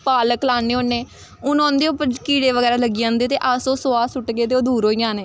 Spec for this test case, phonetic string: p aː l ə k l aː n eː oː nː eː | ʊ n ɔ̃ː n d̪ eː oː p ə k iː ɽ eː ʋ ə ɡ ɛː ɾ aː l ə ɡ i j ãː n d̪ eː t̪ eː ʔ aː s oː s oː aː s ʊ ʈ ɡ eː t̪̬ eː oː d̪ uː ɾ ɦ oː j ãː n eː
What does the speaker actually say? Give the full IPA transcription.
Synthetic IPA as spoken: p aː l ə k l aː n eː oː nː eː | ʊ n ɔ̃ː n d̪ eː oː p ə k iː ɽ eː ʋ ə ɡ ɛː ɾ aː l ə ɡ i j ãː n d̪ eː t̪ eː ʔ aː s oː s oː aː s ʊ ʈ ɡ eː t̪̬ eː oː d̪ uː ɾ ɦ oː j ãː n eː